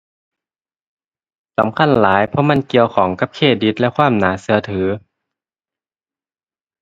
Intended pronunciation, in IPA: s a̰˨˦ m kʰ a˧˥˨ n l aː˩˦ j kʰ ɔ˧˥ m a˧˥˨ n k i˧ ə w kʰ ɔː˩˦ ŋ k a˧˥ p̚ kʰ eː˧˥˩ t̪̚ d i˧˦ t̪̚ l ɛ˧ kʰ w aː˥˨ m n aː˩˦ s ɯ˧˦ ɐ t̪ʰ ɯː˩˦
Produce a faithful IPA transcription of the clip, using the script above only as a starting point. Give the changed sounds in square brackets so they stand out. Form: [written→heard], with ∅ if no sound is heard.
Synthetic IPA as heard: s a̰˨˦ m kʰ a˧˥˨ n l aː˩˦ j [kʰ→pʰ] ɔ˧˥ m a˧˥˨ n k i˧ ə w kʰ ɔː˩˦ ŋ k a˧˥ p̚ kʰ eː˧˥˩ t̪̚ d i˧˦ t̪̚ l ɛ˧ kʰ w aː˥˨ m n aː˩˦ s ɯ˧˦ ɐ t̪ʰ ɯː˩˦